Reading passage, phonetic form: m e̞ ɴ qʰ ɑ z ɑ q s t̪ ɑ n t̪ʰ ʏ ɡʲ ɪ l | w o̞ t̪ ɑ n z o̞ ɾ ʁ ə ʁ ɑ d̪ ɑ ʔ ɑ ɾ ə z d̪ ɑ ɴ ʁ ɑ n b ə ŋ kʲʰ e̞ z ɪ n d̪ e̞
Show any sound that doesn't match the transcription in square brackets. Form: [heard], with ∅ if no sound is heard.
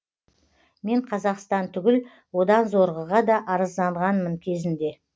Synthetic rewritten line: m e̞ ɴ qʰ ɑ z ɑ q s t̪ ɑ n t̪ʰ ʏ ɡʲ ɪ l | w o̞ [d̪] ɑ n z o̞ ɾ ʁ ə ʁ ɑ d̪ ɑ ʔ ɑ ɾ ə z d̪ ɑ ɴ ʁ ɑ n [m] ə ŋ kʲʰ e̞ z ɪ n d̪ e̞